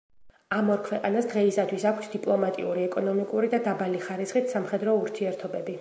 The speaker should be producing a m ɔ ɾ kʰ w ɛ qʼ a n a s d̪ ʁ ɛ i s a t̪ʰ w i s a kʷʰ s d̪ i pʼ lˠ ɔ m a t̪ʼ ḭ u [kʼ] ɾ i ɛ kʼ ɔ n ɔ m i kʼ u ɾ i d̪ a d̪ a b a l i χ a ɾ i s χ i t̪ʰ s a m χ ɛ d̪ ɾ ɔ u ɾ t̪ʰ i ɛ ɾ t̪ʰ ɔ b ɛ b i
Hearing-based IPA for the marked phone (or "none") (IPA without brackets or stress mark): none